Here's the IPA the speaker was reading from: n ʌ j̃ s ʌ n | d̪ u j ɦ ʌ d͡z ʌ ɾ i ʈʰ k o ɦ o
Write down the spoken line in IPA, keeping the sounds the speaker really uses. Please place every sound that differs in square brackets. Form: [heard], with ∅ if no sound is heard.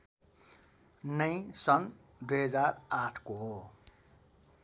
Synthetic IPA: n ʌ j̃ s ʌ n | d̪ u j ɦ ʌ d͡z [a] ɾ [a] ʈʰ k o ɦ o